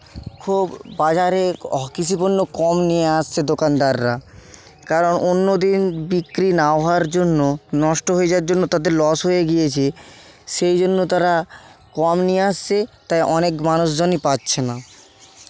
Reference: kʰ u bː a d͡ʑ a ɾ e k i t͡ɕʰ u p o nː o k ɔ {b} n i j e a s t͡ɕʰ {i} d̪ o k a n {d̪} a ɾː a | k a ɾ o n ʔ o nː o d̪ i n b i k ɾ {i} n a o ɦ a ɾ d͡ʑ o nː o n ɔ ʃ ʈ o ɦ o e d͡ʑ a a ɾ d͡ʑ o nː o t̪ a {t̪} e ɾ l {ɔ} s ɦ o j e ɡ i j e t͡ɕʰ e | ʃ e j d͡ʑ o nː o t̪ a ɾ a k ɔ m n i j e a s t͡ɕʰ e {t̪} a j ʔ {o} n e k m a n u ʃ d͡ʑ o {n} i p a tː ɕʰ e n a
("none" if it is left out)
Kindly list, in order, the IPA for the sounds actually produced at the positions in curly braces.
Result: m, e, d̪, i, d̪, ɔ, t̪, ɔ, n

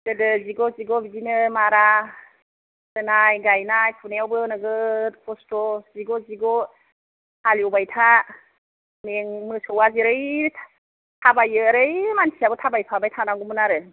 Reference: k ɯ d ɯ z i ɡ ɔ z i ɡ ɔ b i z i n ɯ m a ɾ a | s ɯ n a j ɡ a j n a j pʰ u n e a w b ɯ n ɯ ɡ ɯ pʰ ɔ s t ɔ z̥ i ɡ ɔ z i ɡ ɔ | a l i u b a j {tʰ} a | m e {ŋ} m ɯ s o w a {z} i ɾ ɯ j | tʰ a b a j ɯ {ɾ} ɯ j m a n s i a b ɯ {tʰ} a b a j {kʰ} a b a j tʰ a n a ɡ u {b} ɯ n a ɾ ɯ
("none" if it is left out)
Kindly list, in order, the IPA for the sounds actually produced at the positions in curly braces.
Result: tʰ, ŋ, z, ɾ, tʰ, pʰ, m

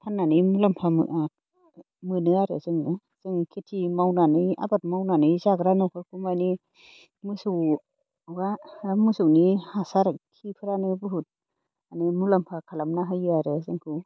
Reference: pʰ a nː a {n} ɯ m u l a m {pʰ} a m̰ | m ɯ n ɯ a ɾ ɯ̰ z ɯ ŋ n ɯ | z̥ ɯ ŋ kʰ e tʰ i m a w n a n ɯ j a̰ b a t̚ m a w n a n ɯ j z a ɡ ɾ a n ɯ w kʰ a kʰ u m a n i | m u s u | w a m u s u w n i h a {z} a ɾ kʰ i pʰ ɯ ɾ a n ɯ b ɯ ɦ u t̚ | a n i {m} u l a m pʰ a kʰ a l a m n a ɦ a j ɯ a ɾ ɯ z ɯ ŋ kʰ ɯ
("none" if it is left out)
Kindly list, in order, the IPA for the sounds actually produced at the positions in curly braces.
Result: n, pʰ, s, m

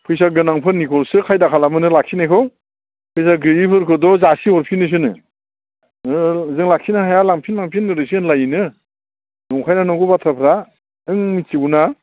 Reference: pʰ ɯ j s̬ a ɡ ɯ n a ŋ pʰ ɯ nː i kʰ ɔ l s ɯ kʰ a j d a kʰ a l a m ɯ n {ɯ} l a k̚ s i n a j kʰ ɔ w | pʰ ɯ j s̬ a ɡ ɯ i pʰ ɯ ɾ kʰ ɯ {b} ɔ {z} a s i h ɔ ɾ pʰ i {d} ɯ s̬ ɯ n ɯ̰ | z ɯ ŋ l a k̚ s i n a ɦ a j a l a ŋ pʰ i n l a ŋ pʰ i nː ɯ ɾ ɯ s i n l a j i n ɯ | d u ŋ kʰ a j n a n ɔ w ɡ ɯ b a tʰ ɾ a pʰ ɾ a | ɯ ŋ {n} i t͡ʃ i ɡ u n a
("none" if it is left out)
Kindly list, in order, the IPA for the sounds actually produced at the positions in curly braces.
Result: ɯ, d, z, n, m

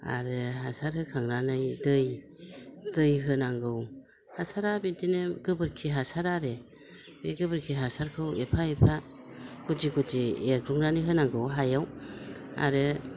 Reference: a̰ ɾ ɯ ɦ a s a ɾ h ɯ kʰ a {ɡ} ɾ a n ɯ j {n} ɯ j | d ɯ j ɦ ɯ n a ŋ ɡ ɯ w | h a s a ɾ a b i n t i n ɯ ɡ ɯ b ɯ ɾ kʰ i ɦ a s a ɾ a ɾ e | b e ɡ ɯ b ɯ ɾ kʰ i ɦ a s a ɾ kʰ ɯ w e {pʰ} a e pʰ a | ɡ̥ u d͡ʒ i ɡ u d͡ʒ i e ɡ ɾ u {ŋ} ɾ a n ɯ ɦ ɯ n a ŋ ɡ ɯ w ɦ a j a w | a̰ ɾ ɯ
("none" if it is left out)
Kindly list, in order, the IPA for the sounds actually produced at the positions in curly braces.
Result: ŋ, d, pʰ, ŋ

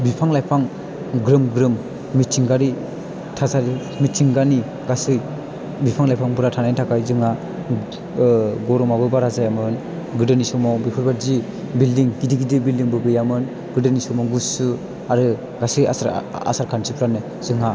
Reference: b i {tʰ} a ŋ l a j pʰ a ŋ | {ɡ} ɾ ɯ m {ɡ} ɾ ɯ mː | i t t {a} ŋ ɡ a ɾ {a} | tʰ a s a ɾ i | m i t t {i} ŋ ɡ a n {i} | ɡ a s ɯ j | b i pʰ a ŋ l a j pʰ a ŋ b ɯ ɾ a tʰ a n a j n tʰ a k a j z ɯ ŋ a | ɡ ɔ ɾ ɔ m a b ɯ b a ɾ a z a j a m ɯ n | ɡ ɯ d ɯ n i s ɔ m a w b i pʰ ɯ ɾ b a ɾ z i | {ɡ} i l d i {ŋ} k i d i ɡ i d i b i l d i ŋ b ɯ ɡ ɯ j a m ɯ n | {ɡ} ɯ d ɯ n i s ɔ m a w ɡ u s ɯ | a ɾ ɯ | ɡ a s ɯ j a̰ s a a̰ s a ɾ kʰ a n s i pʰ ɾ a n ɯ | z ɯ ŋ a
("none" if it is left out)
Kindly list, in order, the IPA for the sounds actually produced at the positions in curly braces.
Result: pʰ, ɡ, ɡ, i, i, i, i, b, ŋ, ɡ

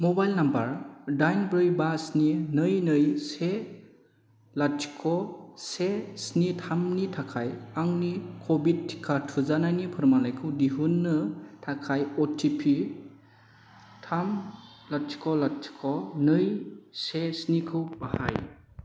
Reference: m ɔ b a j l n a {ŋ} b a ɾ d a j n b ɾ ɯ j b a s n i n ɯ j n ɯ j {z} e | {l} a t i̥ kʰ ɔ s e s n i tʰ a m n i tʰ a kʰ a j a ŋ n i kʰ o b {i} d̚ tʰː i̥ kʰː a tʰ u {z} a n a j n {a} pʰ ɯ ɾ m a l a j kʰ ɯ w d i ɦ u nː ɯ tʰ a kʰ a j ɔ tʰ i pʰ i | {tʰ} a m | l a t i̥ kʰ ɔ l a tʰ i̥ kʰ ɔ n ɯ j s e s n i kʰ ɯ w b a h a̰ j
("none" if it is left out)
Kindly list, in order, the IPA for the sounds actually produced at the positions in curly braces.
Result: m, s, l, i, z, i, tʰ

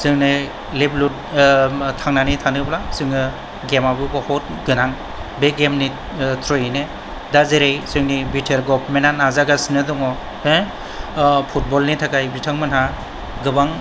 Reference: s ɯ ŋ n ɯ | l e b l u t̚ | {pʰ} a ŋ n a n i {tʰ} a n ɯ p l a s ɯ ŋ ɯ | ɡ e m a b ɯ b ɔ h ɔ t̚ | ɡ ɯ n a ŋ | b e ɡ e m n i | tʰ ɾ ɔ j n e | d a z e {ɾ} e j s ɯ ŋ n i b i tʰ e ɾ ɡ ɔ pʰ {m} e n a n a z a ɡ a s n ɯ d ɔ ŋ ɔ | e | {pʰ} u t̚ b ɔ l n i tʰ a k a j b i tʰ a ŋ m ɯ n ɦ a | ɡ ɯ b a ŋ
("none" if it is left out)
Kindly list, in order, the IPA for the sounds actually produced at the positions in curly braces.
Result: tʰ, tʰ, ɾ, m, pʰ

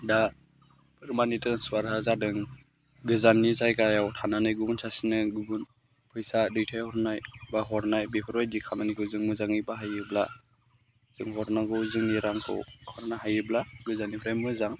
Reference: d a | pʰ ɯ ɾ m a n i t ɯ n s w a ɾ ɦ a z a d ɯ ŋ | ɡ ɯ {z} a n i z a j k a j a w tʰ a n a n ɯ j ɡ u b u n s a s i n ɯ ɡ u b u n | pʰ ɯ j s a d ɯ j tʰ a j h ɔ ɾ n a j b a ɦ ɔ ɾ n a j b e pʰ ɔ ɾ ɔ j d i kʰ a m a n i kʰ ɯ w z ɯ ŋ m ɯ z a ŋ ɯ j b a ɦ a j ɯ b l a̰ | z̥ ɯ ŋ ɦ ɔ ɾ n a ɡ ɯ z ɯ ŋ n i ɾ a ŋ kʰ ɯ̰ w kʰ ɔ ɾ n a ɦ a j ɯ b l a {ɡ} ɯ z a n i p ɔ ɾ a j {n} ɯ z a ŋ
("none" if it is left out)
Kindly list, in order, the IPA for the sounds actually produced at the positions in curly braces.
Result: z, ɡ, m

